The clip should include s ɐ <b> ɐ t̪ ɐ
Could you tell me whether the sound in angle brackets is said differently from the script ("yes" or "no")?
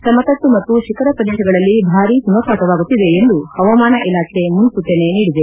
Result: yes